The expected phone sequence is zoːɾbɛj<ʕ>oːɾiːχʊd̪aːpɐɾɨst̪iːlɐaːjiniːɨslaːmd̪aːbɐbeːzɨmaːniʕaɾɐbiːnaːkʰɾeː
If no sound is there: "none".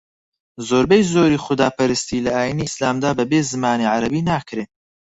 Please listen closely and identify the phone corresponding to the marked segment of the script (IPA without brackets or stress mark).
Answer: z